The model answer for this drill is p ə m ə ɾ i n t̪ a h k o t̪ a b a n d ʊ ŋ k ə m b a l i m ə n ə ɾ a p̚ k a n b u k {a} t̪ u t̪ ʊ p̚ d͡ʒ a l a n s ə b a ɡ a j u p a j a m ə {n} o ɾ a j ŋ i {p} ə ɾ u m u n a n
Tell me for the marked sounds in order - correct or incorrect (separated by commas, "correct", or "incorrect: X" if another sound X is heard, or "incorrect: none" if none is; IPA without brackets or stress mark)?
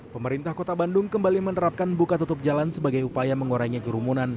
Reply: correct, incorrect: ŋ, incorrect: k